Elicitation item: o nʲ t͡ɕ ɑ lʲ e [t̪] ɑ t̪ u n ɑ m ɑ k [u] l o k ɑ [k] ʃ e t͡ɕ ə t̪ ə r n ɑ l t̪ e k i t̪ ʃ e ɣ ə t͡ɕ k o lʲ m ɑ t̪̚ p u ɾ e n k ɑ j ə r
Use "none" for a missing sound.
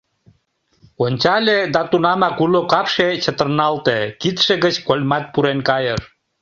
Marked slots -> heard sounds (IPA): d̪, u, p

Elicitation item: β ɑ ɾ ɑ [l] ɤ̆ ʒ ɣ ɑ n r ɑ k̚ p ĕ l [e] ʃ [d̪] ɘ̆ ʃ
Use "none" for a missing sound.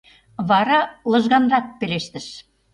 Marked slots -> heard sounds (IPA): l, e, t̪

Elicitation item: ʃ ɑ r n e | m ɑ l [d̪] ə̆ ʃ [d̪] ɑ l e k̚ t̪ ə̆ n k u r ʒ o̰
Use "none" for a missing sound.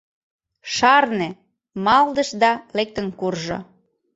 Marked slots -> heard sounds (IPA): d̪, d̪

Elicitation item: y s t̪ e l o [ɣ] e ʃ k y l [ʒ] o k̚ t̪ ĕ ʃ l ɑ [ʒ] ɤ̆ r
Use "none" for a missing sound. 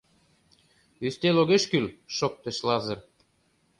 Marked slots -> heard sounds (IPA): ɣ, ʃ, z

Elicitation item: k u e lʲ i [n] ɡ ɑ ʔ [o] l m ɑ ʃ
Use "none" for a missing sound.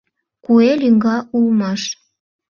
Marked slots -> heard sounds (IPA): ŋ, u

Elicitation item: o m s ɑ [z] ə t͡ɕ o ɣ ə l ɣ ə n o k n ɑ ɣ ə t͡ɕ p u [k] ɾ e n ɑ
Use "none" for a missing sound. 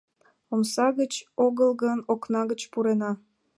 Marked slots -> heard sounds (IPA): ɣ, none

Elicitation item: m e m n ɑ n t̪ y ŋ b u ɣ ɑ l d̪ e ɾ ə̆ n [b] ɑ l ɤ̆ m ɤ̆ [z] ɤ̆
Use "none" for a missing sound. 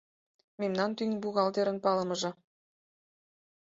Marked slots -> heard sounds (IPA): p, ʒ

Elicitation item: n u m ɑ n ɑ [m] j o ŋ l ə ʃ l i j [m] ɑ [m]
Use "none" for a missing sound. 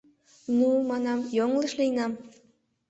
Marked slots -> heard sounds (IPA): m, n, m

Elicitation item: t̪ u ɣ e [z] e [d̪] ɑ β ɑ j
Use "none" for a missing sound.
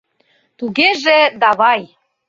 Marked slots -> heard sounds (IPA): ʒ, d̪

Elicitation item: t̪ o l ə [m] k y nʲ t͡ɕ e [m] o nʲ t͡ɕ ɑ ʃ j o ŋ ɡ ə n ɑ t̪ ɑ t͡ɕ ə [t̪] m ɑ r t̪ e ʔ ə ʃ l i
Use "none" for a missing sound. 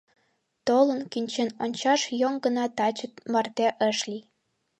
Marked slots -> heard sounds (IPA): n, n, t̪

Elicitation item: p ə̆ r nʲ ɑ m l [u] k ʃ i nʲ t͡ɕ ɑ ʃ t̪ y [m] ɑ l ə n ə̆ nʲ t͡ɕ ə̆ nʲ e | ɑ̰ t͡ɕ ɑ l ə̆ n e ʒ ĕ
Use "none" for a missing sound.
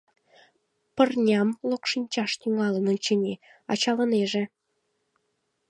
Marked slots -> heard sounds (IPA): o, ŋ

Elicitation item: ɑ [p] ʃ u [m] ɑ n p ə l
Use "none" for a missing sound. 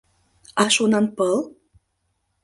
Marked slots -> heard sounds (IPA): none, n

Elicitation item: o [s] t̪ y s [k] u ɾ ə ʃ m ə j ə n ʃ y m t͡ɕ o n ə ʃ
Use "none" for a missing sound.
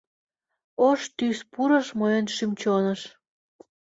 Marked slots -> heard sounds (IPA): ʃ, p

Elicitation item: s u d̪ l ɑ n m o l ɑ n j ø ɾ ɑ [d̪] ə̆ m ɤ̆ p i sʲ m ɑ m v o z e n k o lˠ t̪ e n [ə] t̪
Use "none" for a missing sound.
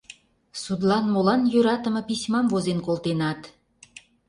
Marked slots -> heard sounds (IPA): t̪, ɑ

